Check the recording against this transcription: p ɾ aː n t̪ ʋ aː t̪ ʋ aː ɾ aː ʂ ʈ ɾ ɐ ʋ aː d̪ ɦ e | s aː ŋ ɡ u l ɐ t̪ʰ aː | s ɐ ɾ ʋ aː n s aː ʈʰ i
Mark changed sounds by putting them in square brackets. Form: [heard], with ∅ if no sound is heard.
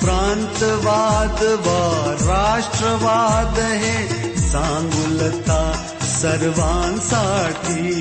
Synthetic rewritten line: p ɾ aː n t̪ ʋ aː [d̪] ʋ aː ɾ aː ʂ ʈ ɾ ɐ ʋ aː d̪ ɦ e | s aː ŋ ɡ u l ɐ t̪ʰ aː | s ɐ ɾ ʋ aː n s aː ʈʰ i